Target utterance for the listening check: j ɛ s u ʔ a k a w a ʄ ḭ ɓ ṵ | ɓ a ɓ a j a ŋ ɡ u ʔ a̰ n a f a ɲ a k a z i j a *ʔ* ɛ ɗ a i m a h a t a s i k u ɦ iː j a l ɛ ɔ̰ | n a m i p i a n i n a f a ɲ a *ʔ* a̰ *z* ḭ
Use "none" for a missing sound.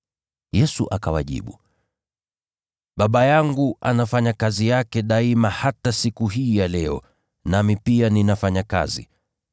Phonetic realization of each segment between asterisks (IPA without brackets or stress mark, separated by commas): k, k, z